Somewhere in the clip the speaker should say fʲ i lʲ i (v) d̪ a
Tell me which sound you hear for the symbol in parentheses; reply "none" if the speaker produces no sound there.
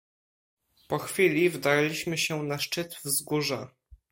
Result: v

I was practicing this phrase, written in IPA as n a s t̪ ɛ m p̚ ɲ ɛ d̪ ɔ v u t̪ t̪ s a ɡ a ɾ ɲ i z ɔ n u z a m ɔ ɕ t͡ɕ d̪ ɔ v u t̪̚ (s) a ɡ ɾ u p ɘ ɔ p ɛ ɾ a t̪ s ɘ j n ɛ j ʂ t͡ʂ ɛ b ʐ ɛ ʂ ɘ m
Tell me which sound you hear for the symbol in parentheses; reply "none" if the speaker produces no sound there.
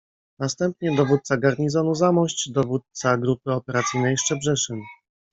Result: s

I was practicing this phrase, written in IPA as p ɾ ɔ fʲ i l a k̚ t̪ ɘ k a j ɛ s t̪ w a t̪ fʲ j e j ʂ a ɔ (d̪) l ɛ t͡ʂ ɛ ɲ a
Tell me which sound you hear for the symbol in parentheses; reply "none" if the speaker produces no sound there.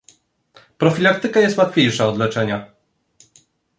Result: d̪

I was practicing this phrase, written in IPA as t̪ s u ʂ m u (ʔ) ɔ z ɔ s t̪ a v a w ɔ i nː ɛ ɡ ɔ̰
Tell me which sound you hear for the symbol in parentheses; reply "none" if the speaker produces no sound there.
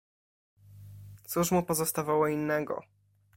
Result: p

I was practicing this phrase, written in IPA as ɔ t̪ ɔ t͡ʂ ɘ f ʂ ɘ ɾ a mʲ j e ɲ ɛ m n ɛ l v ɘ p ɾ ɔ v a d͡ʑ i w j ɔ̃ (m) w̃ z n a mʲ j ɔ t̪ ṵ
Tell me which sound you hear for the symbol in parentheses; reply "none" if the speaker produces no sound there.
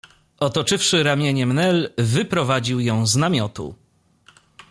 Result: none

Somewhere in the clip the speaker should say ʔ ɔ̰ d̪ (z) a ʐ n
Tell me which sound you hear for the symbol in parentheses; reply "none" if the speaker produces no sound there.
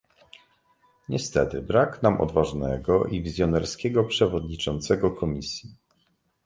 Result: v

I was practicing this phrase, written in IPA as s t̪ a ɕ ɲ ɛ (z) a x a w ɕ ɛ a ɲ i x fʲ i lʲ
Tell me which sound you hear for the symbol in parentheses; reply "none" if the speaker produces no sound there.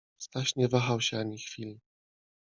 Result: v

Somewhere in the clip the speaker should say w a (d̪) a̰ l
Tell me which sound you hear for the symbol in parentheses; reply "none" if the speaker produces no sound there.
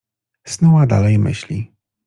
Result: d̪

